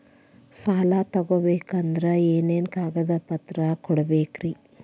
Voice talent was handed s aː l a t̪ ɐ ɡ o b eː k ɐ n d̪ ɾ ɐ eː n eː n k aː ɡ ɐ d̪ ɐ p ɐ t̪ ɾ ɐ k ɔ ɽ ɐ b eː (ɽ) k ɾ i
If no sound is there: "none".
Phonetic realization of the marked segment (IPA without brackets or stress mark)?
none